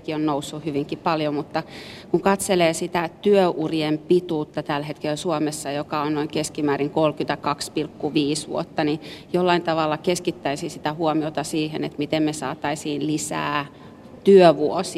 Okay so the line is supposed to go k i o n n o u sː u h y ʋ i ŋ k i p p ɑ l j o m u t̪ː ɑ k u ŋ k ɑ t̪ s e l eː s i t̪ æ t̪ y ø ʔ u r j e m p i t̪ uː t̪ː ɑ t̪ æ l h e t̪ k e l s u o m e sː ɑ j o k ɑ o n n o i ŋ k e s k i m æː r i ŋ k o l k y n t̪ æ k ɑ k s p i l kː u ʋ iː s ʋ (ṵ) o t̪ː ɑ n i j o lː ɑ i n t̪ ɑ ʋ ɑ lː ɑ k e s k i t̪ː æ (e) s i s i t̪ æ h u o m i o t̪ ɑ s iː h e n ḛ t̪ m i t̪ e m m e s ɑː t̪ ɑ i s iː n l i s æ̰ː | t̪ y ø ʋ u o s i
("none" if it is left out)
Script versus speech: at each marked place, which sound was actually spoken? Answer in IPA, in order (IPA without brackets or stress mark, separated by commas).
ṵ, i